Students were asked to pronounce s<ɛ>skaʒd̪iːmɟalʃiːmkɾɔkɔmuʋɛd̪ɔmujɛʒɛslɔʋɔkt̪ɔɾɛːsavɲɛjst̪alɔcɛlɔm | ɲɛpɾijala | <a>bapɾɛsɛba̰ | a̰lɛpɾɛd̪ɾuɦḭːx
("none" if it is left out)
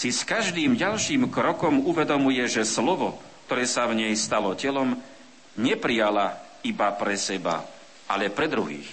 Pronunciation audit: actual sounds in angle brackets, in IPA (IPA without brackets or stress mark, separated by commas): i, i